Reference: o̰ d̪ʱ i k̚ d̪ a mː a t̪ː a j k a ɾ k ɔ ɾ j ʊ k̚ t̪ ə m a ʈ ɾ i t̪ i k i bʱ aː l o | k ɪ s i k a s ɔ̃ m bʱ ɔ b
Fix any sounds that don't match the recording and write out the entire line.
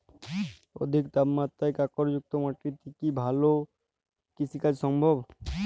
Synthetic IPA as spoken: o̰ d̪ʱ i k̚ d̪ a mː a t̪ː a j k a k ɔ ɾ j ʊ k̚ t̪ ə m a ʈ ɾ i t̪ i k i bʱ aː l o | k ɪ s i k a s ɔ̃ m bʱ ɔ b